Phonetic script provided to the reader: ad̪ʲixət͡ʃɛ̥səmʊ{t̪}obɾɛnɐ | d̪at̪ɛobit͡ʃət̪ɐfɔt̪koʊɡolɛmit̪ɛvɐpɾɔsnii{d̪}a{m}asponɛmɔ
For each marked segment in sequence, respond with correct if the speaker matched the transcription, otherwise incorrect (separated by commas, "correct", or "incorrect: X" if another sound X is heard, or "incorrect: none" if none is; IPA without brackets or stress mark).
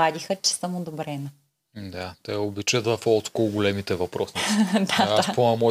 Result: incorrect: d̪, correct, incorrect: none